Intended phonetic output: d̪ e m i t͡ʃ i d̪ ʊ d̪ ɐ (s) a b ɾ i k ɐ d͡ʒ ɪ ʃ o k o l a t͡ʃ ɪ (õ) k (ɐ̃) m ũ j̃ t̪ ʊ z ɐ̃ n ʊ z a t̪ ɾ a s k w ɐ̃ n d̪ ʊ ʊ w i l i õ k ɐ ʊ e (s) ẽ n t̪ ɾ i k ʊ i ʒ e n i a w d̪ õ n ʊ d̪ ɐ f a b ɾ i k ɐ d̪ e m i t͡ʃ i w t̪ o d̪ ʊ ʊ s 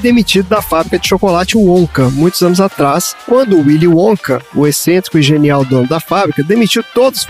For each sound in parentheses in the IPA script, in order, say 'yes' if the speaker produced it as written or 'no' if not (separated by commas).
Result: no, yes, no, yes